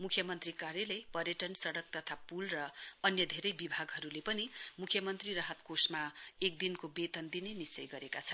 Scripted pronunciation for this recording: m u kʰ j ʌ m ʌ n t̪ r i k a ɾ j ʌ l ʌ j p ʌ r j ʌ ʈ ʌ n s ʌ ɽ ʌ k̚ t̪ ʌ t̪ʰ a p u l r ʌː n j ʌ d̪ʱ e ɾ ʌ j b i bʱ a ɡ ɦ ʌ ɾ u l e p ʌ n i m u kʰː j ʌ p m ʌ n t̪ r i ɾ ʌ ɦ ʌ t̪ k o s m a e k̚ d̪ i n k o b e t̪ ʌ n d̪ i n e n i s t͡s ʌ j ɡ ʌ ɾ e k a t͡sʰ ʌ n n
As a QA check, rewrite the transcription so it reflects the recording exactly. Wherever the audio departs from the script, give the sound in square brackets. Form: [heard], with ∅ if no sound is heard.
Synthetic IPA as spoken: m u kʰ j ʌ m ʌ n t̪ r i k a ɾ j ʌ l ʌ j p ʌ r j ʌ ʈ ʌ n s ʌ ɽ ʌ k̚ t̪ ʌ t̪ʰ a p u l r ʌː n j ʌ d̪ʱ e ɾ ʌ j b i bʱ a ɡ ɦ ʌ ɾ u l e p ʌ n i m u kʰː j ʌ [∅] m ʌ n t̪ r i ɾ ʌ ɦ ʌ t̪ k o s m a e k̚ d̪ i n k o b e t̪ ʌ n d̪ i n e n i s t͡s ʌ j ɡ ʌ ɾ e k a t͡sʰ ʌ n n